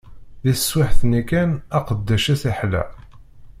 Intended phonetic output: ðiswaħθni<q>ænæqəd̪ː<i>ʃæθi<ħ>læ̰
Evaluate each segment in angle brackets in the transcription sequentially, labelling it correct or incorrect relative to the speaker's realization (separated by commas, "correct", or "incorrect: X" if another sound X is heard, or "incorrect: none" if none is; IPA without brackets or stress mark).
incorrect: k, incorrect: æ, correct